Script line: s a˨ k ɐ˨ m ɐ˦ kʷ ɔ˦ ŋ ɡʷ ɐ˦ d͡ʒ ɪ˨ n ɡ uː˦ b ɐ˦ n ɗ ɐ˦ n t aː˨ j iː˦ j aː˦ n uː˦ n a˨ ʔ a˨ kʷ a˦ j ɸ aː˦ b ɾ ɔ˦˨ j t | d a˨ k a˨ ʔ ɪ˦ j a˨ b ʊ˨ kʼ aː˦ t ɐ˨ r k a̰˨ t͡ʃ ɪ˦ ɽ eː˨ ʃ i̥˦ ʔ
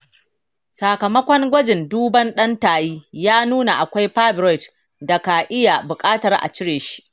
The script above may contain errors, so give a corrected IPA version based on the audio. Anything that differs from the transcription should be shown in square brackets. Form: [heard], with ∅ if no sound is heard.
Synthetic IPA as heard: s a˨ k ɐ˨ m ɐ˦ kʷ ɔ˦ ŋ ɡʷ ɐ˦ d͡ʒ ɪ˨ n [d] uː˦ b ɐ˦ n ɗ ɐ˦ n t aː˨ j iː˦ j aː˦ n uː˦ n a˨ ʔ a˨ kʷ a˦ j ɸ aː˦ b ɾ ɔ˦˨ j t | d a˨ k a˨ ʔ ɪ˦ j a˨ b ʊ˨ kʼ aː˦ t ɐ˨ r [ʔ] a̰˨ t͡ʃ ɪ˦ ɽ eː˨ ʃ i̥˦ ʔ

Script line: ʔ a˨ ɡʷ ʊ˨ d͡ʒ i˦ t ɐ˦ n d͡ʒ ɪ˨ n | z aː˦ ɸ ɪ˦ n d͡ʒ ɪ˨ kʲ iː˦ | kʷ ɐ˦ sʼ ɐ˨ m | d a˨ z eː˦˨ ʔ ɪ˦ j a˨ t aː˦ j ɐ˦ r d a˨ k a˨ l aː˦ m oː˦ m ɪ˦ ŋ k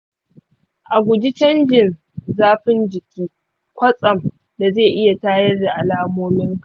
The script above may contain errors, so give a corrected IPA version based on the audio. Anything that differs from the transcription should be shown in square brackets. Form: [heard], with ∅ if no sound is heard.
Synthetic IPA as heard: ʔ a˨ ɡʷ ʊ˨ d͡ʒ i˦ [t͡ʃ] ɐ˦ n d͡ʒ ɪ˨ n | z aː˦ ɸ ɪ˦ n d͡ʒ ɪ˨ kʲ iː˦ | kʷ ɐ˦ sʼ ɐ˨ m | d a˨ z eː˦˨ ʔ ɪ˦ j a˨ t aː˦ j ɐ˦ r d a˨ [ʔ] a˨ l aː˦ m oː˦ m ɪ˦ ŋ k

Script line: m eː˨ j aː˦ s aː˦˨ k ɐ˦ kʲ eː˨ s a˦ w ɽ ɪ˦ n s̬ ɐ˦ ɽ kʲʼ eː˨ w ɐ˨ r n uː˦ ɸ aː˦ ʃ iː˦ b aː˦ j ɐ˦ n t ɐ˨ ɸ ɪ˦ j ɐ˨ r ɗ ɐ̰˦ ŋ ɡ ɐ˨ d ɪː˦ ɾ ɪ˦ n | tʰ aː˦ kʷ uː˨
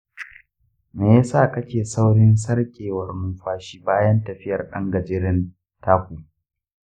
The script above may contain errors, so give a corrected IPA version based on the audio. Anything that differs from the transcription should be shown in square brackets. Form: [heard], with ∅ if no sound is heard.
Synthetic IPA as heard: m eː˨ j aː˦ s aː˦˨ k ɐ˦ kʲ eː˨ s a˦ w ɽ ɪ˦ n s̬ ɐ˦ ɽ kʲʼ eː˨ w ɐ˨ r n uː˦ ɸ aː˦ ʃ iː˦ b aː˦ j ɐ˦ n t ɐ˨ ɸ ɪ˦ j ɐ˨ r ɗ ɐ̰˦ ŋ ɡ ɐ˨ [d͡ʒ] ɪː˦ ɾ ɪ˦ n | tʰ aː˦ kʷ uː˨

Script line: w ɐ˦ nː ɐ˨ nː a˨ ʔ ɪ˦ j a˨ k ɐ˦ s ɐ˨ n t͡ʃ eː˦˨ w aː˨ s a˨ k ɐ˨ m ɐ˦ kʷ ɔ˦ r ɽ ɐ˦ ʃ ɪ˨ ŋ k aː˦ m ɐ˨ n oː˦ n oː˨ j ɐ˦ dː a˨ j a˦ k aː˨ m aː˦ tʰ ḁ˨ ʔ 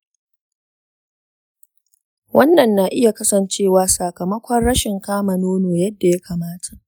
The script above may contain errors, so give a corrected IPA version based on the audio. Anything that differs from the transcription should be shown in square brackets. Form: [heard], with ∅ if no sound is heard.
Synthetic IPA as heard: w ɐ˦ nː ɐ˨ nː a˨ ʔ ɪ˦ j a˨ k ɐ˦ s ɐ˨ n t͡ʃ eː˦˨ w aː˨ s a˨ k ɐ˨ m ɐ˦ kʷ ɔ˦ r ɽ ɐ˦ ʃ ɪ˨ ŋ k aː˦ m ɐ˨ n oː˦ n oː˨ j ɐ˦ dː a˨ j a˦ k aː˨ m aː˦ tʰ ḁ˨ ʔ

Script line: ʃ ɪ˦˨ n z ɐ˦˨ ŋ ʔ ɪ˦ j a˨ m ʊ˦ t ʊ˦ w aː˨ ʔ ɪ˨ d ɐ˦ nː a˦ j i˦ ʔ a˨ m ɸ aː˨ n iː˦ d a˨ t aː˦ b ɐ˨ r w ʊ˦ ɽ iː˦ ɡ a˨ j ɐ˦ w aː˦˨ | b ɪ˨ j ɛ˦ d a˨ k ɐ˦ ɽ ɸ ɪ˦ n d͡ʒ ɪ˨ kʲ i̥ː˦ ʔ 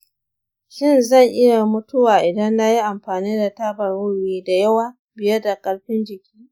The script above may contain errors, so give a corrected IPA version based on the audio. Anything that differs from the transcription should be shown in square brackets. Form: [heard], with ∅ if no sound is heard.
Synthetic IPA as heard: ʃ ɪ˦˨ n z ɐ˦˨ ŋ ʔ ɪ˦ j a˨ m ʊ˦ t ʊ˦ w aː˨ ʔ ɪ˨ d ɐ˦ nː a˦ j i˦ ʔ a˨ m ɸ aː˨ n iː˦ d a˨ t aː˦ b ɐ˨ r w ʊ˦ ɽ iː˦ [d] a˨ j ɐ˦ w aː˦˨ | b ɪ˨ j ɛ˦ d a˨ [kʼ] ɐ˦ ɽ ɸ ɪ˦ n d͡ʒ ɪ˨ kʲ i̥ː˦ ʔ

